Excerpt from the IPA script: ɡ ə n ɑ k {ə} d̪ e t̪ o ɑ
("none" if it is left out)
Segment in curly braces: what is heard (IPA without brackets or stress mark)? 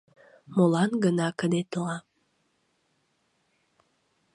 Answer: ə